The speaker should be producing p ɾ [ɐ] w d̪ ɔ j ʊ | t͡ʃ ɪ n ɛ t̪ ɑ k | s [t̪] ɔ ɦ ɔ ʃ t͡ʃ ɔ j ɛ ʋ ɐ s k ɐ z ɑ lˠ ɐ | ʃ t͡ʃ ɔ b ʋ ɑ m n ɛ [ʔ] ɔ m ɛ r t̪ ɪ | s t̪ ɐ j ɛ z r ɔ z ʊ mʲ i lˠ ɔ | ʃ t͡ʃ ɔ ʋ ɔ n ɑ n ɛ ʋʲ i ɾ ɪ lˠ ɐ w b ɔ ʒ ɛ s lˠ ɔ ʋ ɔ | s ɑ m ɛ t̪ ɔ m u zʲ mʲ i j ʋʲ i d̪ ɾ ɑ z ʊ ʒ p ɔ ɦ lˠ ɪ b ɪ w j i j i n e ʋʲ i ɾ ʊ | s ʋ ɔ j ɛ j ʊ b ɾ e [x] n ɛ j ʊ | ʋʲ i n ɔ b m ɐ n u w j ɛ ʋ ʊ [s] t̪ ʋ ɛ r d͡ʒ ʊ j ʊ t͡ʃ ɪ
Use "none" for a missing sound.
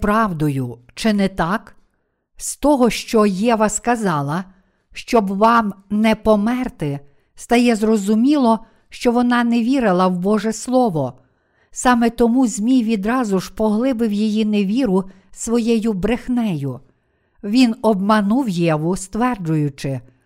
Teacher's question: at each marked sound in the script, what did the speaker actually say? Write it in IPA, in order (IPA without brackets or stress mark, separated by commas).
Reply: ɑ, t̪, p, x, s